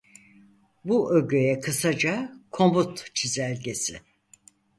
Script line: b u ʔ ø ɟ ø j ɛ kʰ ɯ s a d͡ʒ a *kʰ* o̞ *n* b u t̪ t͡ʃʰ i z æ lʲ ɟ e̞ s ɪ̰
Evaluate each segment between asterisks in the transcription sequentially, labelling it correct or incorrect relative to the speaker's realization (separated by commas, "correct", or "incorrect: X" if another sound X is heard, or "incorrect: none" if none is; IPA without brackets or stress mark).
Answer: correct, incorrect: m